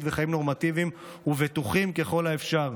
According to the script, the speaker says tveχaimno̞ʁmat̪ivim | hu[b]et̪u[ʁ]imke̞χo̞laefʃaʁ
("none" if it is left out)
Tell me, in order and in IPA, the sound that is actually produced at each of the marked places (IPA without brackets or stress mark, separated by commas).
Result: v, χ